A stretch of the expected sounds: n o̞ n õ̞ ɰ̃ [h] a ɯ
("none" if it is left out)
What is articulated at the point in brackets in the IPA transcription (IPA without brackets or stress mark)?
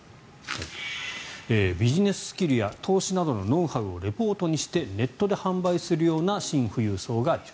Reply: h